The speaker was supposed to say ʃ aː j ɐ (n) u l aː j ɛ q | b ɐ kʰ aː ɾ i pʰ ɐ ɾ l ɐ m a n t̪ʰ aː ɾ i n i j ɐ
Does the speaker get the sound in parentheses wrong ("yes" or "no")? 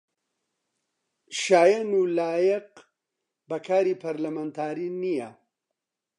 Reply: no